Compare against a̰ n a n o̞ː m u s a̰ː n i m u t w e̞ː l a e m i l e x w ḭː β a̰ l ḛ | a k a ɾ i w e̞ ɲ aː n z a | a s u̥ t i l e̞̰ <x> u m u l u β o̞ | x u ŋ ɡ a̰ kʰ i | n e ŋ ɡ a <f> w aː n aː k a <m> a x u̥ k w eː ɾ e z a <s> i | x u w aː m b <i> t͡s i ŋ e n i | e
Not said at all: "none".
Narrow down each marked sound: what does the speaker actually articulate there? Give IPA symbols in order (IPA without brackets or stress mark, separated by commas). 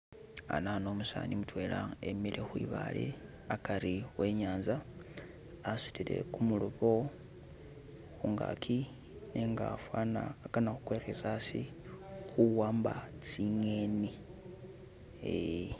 k, f, n, s, a